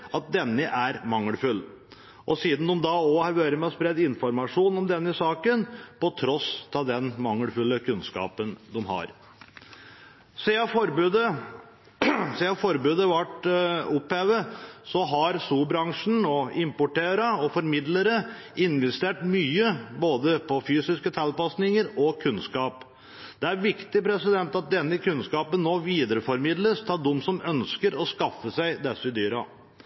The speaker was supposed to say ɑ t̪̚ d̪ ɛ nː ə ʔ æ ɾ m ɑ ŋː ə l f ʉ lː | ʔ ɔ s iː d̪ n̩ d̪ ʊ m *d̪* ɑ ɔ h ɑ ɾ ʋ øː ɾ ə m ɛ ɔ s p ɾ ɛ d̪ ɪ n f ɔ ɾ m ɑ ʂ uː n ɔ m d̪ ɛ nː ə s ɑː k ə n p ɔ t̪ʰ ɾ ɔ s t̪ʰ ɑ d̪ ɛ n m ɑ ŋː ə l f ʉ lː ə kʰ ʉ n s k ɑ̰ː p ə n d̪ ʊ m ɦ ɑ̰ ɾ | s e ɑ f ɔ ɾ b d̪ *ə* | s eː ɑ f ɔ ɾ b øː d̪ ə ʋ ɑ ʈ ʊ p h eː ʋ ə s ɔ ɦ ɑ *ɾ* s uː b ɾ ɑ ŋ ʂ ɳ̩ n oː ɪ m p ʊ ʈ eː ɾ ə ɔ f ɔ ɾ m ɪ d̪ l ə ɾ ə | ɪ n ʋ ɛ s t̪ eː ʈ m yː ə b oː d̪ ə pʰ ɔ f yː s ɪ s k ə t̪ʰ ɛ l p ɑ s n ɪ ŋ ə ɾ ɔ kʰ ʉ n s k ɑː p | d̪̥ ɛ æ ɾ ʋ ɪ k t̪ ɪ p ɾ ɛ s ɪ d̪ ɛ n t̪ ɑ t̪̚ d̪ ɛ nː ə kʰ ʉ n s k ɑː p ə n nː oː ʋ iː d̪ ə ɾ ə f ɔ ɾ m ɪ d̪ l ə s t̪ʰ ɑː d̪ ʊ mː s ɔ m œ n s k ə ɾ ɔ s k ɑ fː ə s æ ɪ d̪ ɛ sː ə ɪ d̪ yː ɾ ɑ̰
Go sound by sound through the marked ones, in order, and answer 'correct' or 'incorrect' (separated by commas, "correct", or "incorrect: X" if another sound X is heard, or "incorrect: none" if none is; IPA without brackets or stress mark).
correct, correct, correct